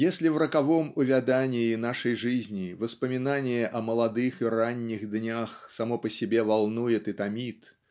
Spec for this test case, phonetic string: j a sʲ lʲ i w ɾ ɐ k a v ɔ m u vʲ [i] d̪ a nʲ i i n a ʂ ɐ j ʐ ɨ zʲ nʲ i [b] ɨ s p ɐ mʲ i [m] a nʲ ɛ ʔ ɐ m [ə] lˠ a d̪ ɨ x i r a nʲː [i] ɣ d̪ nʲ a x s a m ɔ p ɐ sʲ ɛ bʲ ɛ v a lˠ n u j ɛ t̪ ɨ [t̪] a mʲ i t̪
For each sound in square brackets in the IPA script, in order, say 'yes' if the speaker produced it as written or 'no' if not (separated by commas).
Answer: no, no, no, no, yes, yes